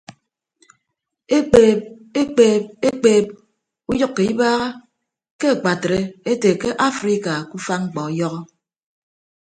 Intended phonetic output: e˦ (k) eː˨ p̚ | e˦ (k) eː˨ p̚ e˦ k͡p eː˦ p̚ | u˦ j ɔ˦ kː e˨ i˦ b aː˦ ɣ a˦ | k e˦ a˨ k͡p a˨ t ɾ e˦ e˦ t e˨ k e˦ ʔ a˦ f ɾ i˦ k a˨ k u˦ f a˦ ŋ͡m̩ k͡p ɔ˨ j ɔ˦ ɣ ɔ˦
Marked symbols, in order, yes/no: no, no

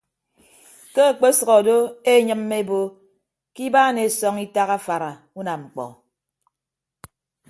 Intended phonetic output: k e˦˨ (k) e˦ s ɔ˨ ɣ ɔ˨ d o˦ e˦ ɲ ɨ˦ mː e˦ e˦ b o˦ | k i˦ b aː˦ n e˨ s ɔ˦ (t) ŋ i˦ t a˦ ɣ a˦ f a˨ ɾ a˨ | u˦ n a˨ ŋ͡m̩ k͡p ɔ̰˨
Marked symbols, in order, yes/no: no, no

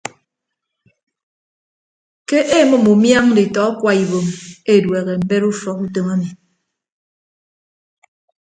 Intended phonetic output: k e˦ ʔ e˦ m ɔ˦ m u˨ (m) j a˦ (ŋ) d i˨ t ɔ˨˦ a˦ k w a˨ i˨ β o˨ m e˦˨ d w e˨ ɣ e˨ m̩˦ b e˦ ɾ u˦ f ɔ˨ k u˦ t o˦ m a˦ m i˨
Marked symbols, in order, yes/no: yes, yes

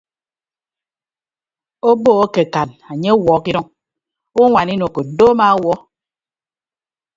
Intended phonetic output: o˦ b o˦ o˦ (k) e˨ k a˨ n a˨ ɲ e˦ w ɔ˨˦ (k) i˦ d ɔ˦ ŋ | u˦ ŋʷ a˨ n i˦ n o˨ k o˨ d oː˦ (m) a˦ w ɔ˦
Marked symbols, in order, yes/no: yes, yes, yes

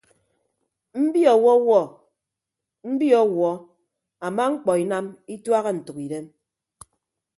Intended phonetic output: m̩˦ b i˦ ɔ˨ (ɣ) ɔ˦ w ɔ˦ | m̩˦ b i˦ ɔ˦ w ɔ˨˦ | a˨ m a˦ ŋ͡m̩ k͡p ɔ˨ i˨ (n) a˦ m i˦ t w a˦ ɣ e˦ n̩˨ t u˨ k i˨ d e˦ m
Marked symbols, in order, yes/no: no, yes

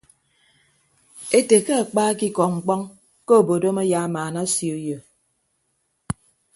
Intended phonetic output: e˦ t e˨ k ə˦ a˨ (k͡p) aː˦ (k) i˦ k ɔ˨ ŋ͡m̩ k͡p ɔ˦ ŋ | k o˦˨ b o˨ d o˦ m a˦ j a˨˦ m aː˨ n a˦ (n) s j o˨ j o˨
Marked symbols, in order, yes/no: yes, yes, no

